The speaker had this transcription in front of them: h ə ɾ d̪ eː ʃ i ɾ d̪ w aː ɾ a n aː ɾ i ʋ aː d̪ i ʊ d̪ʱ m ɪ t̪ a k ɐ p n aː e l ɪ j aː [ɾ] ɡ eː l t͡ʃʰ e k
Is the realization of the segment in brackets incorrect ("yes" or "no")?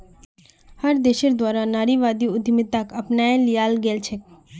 yes